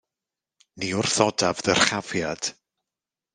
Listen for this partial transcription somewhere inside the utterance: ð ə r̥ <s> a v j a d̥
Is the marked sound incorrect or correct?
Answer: incorrect